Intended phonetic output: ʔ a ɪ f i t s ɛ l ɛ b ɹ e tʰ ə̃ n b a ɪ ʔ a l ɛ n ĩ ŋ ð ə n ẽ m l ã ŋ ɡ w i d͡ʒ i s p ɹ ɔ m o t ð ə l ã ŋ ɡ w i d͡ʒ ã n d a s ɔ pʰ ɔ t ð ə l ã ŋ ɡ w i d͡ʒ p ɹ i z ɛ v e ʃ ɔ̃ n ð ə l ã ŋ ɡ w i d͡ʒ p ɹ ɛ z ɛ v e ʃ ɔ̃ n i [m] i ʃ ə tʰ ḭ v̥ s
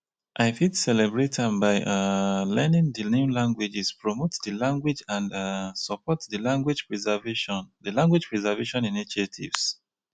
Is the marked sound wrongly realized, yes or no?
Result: yes